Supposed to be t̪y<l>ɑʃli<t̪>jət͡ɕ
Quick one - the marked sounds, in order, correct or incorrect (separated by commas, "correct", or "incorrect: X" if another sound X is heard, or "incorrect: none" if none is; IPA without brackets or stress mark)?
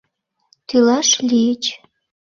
correct, incorrect: none